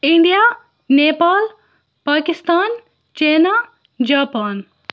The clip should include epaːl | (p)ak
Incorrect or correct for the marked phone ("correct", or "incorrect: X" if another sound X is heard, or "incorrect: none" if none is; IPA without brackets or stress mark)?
correct